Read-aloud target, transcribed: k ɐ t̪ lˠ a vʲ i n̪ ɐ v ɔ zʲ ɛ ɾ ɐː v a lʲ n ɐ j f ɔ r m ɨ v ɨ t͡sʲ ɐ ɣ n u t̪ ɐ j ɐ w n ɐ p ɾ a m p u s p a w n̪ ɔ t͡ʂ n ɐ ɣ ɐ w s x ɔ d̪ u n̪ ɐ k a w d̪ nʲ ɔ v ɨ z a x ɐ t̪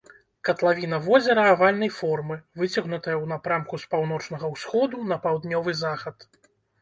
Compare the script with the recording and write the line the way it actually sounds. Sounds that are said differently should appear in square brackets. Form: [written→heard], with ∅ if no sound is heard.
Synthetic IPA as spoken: k ɐ t̪ lˠ a vʲ i n̪ ɐ v ɔ zʲ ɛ ɾ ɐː v a lʲ n ɐ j f ɔ r m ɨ v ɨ t͡sʲ ɐ ɣ n u t̪ ɐ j ɐ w n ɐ p ɾ a m [p→k] u s p a w n̪ ɔ t͡ʂ n ɐ ɣ ɐ w s x ɔ d̪ u n̪ ɐ [k→p] a w d̪ nʲ ɔ v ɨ z a x ɐ t̪